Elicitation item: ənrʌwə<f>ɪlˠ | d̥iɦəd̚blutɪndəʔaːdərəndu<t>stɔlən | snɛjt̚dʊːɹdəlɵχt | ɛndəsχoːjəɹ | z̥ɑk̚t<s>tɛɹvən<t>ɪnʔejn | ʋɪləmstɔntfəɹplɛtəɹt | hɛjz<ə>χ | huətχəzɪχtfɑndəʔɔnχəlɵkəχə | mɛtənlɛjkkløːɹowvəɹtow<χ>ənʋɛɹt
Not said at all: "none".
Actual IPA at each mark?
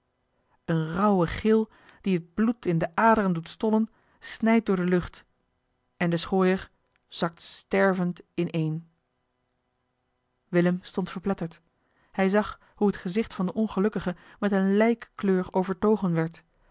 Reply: χ, t, s, t, ɑ, χ

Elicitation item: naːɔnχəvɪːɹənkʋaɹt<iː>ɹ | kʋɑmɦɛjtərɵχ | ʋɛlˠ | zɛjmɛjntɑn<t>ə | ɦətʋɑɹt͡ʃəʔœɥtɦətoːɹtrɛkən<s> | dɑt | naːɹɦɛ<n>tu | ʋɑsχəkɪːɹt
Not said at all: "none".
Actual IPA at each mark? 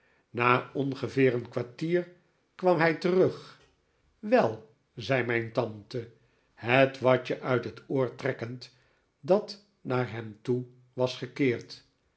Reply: iː, t, t, m

